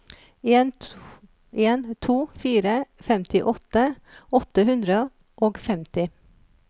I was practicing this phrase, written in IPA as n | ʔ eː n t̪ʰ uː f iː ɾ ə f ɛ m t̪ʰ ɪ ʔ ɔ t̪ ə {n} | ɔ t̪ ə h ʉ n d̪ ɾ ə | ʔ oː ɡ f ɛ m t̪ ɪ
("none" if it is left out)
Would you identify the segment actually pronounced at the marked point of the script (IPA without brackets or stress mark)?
none